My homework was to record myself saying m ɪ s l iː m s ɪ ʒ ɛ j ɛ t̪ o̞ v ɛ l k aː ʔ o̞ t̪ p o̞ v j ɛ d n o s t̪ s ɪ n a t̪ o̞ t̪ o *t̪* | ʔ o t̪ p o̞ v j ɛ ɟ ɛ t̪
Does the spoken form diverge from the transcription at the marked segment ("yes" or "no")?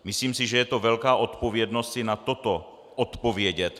yes